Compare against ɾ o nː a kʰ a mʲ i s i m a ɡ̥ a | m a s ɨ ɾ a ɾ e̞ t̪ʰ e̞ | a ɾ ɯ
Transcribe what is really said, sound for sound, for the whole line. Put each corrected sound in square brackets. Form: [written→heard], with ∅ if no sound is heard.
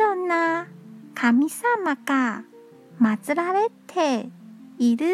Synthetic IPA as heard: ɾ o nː a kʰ a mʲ i s [i→a] m a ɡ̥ a | m a [s→t͡s] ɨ ɾ a ɾ e̞ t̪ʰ e̞ | [a→i] ɾ ɯ